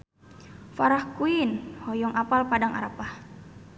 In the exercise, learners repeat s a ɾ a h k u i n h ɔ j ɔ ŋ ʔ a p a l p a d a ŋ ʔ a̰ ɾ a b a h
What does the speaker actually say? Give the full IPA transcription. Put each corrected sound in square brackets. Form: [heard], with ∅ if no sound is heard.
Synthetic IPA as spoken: [f] a ɾ a h k u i n h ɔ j ɔ ŋ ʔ a p a l p a d a ŋ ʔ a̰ ɾ a [p] a h